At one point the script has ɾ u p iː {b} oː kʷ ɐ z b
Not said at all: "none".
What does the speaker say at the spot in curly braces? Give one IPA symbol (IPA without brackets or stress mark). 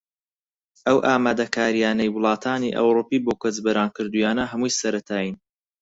b